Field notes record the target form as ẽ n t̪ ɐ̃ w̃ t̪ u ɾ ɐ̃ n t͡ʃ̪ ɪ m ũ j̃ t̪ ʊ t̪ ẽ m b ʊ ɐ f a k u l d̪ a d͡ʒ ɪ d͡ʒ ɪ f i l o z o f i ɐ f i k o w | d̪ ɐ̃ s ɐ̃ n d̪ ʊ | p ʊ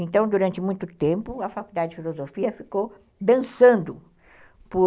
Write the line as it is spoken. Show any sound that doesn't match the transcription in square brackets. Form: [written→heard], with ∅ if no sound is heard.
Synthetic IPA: ẽ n t̪ ɐ̃ w̃ [t̪→d̪] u ɾ ɐ̃ n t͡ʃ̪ ɪ m ũ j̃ t̪ ʊ t̪ ẽ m [b→p] ʊ ɐ f a k u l d̪ a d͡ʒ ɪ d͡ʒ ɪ f i l o z o f i ɐ f i k o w | d̪ ɐ̃ s ɐ̃ n d̪ ʊ | p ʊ